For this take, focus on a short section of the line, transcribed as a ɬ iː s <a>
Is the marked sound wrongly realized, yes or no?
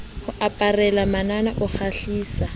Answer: no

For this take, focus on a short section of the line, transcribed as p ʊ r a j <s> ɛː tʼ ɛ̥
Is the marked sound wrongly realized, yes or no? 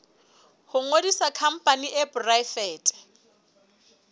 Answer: yes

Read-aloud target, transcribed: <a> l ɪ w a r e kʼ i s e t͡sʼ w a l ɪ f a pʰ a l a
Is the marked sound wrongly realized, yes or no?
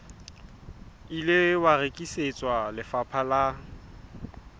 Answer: yes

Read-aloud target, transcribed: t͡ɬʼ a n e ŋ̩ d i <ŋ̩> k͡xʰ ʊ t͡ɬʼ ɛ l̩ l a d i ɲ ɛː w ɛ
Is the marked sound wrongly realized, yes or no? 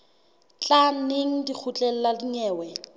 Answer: yes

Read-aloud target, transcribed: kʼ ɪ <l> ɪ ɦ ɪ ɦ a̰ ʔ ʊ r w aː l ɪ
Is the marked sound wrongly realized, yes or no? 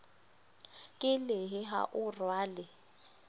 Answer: no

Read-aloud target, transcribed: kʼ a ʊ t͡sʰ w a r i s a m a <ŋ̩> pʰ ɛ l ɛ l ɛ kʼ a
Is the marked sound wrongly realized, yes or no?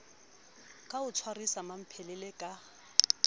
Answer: yes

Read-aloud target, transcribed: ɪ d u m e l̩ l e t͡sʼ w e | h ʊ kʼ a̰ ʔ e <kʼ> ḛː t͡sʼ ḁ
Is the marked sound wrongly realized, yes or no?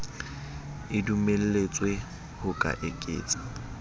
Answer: no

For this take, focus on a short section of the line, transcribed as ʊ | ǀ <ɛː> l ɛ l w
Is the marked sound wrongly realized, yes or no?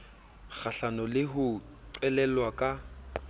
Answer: yes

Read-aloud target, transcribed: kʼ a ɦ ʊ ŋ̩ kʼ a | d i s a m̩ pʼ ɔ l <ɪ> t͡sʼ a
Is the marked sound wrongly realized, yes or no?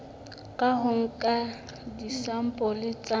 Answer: no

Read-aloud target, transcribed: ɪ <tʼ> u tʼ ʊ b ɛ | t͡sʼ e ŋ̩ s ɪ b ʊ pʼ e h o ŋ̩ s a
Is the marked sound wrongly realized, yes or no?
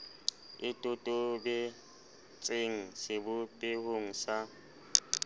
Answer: no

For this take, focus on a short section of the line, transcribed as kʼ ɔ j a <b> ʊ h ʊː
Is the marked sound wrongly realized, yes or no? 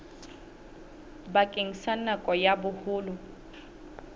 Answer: no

